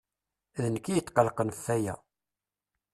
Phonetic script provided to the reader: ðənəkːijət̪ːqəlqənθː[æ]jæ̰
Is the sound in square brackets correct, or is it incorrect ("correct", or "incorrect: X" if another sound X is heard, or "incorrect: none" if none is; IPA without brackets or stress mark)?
correct